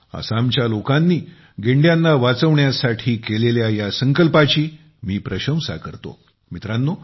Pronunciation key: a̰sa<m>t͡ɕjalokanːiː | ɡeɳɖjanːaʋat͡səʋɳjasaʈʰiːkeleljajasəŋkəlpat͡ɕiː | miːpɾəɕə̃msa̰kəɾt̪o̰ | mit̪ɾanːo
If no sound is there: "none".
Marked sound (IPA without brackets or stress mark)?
m